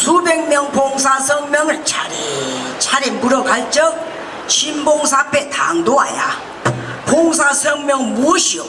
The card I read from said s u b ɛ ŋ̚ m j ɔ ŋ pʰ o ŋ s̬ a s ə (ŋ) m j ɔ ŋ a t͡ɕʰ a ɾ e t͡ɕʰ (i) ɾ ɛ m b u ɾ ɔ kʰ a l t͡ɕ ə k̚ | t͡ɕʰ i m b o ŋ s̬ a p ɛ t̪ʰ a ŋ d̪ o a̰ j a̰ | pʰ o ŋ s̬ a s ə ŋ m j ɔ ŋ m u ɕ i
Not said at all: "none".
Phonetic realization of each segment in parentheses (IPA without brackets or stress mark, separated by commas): ŋ, a